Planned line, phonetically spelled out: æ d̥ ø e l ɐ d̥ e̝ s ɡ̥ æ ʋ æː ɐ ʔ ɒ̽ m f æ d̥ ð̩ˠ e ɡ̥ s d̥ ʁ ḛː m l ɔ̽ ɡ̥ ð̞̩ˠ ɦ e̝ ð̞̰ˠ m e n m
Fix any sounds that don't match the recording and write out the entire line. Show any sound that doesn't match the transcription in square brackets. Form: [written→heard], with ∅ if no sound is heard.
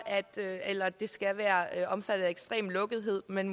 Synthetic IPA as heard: æ d̥ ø e l ɐ d̥ e̝ s ɡ̥ æ ʋ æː ɐ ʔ ɒ̽ m f æ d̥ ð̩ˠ e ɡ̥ s d̥ ʁ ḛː m l ɔ̽ ɡ̥ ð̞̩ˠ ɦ e̝ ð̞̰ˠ m e n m